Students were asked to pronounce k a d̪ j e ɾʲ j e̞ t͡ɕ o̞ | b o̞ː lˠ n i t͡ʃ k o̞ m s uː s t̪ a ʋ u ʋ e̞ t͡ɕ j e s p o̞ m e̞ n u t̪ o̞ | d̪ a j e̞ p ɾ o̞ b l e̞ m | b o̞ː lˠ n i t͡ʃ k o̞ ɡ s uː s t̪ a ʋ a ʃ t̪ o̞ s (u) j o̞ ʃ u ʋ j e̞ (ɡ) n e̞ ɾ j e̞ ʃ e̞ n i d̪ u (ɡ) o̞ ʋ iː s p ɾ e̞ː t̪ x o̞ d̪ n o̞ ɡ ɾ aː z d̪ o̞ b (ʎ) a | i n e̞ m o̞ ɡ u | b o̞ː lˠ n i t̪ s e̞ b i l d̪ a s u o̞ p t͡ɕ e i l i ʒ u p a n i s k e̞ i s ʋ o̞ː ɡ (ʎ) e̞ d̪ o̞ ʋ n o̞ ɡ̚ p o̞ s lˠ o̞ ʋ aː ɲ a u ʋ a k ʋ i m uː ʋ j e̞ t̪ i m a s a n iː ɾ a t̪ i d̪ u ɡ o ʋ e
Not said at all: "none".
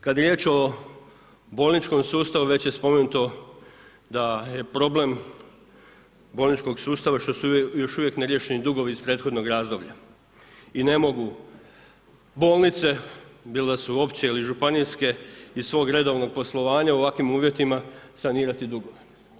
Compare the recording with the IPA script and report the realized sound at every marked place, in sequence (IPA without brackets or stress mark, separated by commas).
u, k, ɡ, ʎ, ɾ